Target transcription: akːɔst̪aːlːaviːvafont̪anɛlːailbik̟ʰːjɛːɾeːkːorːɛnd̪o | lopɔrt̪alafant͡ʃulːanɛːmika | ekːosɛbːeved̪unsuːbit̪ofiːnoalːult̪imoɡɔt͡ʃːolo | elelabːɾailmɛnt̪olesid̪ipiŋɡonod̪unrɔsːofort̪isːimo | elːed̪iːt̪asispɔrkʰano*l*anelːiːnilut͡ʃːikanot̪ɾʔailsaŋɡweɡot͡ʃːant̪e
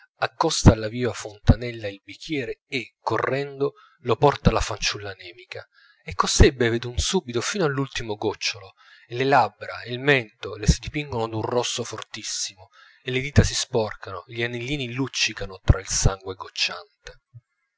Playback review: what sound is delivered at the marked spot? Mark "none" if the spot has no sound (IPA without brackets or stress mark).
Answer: ʎ